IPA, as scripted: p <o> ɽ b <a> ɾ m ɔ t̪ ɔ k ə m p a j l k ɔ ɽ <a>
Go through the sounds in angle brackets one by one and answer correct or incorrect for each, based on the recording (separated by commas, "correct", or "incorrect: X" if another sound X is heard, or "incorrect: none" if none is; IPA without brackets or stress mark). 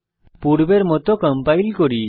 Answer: incorrect: u, incorrect: e, incorrect: i